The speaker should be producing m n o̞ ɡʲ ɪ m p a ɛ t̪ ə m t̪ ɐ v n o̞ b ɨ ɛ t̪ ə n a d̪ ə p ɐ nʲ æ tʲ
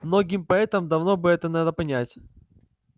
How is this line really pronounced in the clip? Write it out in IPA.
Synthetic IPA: m n o̞ ɡʲ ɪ m p ɐ ɛ t̪ ə m d̪ ɐ v n o̞ b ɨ ɛ t̪ ə n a d̪ ə p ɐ nʲ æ tʲ